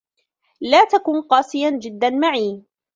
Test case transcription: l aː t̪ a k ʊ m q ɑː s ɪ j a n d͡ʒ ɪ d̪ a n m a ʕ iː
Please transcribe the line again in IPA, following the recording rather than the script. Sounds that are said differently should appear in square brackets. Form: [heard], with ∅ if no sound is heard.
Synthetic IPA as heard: l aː t̪ a k ʊ [n] q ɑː s ɪ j a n d͡ʒ ɪ [d̪ː] a n m a ʕ iː